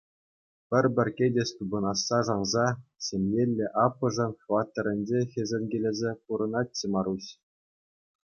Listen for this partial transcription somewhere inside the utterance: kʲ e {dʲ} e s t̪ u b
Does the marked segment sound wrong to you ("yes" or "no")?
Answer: no